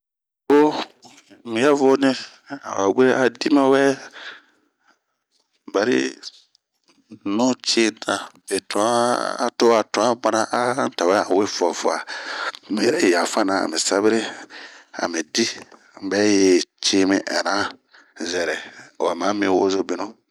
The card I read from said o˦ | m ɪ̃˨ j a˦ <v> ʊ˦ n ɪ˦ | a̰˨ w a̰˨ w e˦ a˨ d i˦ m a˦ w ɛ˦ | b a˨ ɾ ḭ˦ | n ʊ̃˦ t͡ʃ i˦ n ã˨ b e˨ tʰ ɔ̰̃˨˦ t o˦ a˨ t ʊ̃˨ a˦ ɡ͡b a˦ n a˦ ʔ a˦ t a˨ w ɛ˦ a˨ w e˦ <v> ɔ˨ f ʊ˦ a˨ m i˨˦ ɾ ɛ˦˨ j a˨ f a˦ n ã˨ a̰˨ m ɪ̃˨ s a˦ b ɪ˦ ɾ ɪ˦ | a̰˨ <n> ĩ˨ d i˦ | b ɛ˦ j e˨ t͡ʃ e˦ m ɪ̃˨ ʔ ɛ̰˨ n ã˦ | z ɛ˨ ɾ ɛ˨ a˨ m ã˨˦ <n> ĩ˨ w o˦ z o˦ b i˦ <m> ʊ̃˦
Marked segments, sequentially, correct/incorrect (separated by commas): correct, incorrect, incorrect, incorrect, incorrect